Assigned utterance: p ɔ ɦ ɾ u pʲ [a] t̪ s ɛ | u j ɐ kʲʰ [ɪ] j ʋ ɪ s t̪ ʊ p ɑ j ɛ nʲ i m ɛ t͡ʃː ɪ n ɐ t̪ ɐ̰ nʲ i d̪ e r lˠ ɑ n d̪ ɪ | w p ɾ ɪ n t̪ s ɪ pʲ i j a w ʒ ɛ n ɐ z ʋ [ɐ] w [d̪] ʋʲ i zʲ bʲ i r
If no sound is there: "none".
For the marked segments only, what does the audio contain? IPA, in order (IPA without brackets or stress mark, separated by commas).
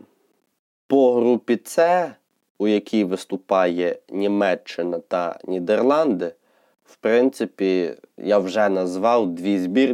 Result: i, i, ɑ, d̪